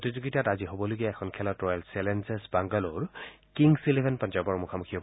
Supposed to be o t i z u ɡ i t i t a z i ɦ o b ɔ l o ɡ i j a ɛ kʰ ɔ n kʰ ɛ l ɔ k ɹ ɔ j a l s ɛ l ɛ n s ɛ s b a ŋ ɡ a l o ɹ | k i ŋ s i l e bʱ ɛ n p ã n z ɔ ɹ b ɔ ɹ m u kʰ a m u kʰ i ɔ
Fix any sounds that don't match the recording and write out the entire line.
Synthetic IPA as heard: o t i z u ɡ i t a t a z i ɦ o b ɔ l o ɡ i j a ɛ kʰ ɔ n kʰ ɛ l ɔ t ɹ ɔ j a l s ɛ l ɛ n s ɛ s b a ŋ ɡ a l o ɹ | k i ŋ s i l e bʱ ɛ n p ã n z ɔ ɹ b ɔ ɹ m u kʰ a m u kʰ i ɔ